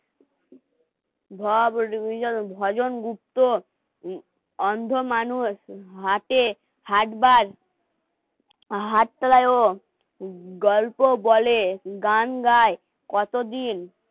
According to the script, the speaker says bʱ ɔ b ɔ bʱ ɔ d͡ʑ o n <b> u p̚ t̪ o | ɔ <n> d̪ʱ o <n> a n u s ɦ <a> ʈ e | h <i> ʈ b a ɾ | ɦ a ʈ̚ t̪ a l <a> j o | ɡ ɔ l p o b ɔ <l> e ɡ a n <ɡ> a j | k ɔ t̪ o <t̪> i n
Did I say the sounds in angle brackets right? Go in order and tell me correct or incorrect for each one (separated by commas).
incorrect, correct, incorrect, correct, incorrect, correct, correct, correct, incorrect